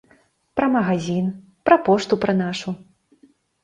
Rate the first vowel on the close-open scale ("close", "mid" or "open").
open